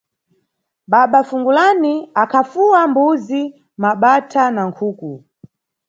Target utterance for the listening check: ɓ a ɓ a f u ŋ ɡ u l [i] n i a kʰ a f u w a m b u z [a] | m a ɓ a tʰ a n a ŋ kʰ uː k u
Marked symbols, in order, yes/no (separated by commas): no, no